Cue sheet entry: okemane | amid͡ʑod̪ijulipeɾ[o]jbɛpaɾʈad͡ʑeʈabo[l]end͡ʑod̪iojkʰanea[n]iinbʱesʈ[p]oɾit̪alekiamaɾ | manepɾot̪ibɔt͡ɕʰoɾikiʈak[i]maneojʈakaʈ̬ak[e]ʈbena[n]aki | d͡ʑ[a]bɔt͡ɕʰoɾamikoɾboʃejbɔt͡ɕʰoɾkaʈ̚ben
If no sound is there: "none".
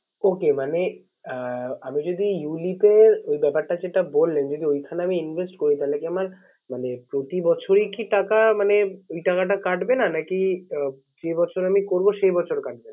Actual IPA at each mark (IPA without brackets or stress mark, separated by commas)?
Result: o, lː, m, k, a, a, n, e